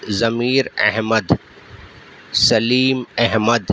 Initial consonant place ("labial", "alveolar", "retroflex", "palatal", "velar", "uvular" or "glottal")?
alveolar